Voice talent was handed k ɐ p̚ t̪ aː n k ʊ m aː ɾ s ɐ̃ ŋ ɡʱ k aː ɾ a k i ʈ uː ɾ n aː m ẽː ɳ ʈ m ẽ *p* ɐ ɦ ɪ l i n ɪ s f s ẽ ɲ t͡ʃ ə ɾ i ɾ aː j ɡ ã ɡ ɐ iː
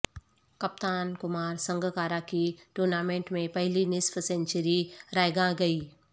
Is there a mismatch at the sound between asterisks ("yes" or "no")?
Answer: no